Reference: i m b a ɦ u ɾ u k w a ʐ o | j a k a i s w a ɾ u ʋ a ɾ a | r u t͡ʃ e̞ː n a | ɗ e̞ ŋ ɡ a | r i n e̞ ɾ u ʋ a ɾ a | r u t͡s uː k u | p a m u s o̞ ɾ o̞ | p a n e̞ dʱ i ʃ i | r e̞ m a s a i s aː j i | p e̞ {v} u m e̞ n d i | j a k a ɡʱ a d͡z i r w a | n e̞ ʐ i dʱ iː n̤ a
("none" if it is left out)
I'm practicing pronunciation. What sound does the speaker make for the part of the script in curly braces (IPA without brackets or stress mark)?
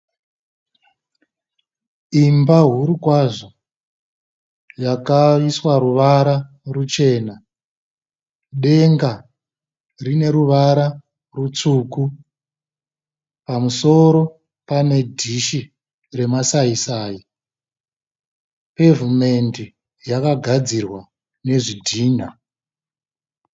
v